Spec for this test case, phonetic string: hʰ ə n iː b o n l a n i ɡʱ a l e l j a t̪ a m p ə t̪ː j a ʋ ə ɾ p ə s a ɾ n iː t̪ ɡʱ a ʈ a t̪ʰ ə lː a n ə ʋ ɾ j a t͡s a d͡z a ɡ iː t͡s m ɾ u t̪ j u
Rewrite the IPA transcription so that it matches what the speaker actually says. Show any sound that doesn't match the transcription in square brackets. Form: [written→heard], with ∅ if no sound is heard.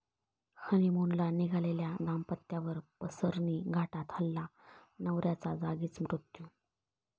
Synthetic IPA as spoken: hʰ ə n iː [b→m] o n l a n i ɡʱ a l e l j a [t̪→d̪] a m p ə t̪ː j a ʋ ə ɾ p ə s [a→ə] ɾ n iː [t̪→∅] ɡʱ a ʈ a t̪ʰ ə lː a n ə ʋ ɾ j a t͡s a d͡z a ɡ iː t͡s m ɾ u t̪ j u